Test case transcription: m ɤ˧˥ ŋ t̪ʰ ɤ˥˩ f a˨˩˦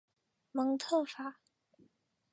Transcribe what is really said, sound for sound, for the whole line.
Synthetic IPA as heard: m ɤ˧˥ ŋ t̪ʰ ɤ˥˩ f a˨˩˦